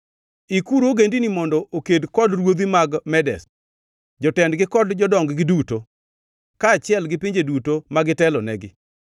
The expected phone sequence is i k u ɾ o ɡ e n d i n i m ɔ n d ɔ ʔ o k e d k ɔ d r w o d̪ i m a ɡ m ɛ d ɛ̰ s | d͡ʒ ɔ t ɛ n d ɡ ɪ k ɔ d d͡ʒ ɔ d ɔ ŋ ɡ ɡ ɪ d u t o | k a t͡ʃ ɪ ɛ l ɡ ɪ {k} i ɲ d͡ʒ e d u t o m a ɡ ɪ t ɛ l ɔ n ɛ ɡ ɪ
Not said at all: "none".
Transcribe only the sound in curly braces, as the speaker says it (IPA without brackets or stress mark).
p